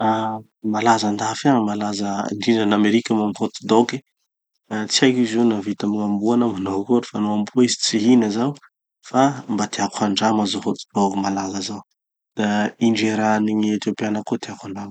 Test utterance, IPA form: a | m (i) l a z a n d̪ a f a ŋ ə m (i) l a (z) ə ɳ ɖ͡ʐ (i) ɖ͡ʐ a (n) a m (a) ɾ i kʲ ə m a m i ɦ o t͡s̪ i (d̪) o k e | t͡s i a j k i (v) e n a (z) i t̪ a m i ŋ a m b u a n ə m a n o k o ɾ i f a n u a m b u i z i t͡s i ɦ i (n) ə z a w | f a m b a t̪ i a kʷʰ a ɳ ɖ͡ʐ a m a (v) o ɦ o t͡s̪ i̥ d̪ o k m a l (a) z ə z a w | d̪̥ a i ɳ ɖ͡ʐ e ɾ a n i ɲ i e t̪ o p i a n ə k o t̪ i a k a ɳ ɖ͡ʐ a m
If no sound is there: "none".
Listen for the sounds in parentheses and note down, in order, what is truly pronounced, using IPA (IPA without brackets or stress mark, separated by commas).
a, a, z, i, n, e, d̪, z, v, n, z, a